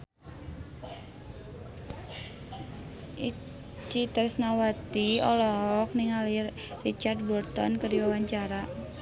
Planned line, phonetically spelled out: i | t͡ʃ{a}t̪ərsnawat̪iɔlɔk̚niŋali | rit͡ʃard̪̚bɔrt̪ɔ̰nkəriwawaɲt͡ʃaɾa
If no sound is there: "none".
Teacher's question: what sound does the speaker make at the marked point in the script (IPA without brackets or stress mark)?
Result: i